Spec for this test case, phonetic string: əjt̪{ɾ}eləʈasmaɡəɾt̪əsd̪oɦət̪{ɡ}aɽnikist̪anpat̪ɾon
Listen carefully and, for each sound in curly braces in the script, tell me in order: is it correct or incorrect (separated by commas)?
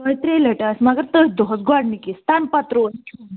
correct, correct